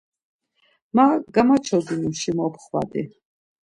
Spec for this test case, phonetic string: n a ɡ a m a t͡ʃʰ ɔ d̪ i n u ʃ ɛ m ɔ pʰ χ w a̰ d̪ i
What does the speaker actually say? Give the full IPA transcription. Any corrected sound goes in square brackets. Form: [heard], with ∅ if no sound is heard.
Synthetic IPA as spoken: [m] a ɡ a m a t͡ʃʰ ɔ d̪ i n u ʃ [i] m ɔ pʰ χ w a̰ d̪ i